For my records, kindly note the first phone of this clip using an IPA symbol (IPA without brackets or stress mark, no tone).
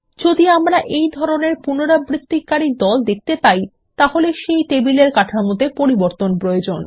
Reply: d͡ʑ